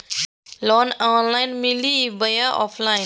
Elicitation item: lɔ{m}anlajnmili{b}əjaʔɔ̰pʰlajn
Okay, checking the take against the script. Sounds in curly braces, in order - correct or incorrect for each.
incorrect: n, correct

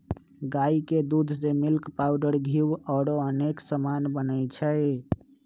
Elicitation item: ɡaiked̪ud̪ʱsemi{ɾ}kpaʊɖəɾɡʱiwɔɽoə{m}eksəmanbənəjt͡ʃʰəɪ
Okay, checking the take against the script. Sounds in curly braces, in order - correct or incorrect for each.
incorrect: l, incorrect: n

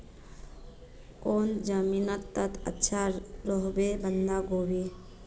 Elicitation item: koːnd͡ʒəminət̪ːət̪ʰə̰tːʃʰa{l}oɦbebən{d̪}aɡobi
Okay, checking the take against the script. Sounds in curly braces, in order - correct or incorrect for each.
incorrect: ɾ, correct

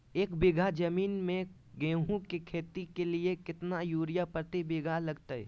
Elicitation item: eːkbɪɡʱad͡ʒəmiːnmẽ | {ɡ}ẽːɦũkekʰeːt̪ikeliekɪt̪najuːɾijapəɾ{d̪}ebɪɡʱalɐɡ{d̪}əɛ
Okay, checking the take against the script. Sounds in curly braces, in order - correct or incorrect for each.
correct, incorrect: t̪, incorrect: t̪

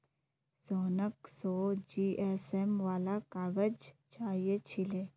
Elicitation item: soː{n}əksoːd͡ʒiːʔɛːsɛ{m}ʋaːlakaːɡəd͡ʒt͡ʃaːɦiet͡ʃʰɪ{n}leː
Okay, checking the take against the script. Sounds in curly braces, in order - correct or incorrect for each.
correct, correct, incorrect: none

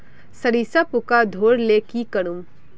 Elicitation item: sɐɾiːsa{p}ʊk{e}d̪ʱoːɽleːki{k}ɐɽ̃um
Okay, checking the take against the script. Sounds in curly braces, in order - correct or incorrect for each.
correct, incorrect: a, correct

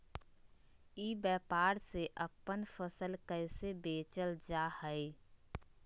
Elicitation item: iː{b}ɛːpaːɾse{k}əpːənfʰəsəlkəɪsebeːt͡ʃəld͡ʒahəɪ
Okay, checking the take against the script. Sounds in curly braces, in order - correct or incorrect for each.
correct, incorrect: ʔ

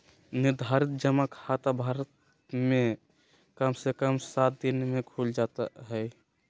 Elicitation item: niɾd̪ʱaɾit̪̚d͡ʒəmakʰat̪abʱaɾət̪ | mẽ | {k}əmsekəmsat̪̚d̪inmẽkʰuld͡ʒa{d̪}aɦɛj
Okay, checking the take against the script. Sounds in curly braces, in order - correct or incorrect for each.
correct, incorrect: t̪

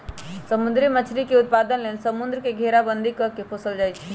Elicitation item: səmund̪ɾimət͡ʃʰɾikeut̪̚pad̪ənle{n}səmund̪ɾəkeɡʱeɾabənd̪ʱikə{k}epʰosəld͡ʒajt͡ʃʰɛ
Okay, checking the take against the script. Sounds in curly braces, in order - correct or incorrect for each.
correct, correct

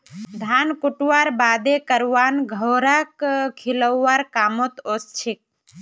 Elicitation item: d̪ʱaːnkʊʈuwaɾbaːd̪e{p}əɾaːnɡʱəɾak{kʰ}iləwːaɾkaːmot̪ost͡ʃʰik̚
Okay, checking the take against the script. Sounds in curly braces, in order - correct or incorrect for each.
incorrect: k, correct

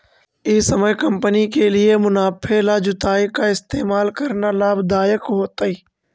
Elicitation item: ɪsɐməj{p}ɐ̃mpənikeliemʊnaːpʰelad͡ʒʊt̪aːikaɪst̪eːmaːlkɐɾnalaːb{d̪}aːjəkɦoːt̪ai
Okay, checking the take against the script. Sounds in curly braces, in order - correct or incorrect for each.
incorrect: k, correct

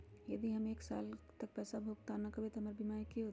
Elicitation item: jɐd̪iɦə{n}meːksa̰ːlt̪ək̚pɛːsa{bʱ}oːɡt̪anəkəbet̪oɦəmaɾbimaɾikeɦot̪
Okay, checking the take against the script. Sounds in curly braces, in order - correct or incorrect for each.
incorrect: none, correct

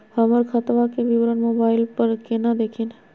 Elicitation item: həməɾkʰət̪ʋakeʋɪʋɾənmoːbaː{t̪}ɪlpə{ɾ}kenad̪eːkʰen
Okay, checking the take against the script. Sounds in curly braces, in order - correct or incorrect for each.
incorrect: none, correct

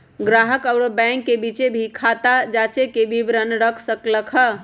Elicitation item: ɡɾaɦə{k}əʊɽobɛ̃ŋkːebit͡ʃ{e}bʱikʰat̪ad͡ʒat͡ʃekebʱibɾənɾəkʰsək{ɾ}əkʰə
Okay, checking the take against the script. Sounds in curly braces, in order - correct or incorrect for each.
correct, correct, incorrect: l

